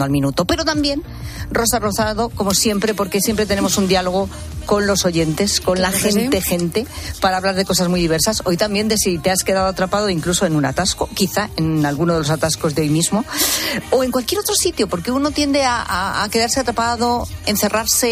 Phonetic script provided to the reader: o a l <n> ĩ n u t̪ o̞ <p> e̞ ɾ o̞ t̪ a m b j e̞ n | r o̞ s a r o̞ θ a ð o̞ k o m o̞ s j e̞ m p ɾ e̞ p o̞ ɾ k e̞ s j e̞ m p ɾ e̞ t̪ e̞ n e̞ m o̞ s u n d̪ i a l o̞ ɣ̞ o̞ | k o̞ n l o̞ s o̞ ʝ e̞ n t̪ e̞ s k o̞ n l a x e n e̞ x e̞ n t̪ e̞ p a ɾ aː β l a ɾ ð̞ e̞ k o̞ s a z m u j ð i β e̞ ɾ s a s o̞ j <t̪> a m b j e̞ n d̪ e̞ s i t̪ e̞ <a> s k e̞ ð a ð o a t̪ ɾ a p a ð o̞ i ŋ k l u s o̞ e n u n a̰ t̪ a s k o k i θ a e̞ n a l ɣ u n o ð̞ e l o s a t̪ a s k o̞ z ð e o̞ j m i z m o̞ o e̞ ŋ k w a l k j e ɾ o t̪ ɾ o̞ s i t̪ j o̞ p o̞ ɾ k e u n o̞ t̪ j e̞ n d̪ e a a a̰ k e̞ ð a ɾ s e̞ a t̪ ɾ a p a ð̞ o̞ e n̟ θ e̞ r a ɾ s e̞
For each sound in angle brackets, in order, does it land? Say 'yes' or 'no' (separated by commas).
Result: no, yes, yes, yes